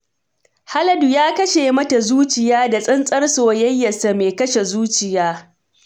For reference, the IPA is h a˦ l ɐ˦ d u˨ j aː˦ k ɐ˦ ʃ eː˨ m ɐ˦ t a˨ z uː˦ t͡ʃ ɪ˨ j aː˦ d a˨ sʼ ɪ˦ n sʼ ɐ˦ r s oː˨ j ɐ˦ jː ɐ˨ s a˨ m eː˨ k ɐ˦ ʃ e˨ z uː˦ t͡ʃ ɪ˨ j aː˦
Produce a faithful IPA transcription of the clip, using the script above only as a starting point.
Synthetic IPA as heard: h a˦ l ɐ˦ d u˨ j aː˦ k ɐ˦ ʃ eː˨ m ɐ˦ t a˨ z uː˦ t͡ʃ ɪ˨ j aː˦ d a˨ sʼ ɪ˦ n sʼ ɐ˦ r s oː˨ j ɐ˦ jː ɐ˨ s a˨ m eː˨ k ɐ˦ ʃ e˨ z uː˦ t͡ʃ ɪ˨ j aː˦